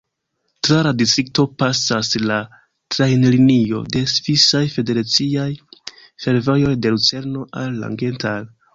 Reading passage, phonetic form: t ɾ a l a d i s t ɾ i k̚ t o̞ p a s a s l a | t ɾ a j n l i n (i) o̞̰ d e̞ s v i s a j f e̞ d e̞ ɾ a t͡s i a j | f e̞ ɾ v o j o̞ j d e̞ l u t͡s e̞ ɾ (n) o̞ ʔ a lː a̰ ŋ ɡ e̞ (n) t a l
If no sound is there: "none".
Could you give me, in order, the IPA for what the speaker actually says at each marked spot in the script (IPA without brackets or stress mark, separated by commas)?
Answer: i, n, n